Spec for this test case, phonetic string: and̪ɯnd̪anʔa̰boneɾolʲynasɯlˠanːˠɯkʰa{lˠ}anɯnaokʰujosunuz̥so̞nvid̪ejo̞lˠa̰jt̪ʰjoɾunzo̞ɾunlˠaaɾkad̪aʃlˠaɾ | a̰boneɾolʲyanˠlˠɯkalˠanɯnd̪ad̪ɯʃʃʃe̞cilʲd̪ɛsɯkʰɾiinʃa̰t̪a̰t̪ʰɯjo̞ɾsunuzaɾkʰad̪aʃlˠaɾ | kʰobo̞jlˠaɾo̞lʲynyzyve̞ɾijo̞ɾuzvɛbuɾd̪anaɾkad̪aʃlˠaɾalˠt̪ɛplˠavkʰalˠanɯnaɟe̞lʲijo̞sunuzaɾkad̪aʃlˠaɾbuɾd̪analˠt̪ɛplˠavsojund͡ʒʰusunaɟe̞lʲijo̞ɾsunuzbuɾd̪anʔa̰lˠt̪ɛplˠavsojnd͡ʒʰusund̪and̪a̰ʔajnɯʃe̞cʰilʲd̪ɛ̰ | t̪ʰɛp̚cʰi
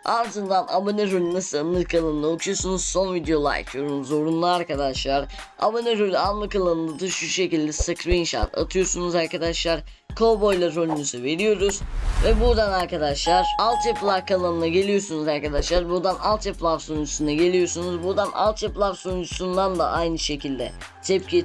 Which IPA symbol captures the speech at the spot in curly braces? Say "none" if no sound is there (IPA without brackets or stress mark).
lˠ